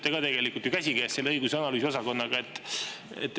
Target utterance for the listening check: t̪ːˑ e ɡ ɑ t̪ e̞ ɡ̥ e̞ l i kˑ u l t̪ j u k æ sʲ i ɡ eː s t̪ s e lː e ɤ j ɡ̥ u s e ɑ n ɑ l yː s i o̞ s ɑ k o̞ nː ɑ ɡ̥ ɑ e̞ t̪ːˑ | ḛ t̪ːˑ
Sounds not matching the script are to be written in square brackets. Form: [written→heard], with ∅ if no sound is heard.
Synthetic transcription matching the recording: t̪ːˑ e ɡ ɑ t̪ e̞ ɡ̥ e̞ l i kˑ u l t̪ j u k æ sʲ i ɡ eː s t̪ s e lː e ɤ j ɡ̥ u s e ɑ n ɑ l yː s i o̞ s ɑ k o̞ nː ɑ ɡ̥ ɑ e̞ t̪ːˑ | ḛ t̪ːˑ

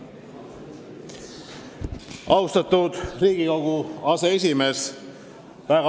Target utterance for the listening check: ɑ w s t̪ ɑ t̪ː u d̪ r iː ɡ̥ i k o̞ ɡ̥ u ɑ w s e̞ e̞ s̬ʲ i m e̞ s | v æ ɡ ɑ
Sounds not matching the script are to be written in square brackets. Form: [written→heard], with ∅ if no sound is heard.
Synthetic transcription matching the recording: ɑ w s t̪ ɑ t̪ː u d̪ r iː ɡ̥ i k o̞ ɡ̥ u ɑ [w→∅] s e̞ e̞ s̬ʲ i m e̞ s | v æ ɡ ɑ

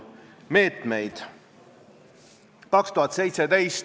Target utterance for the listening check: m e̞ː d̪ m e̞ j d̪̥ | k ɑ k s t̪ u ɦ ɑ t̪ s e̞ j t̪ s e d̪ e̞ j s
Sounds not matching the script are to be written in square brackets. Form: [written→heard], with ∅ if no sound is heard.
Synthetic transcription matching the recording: m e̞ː [d̪→t̪] m e̞ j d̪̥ | k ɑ k s t̪ u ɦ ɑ t̪ s e̞ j t̪ s e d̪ e̞ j s

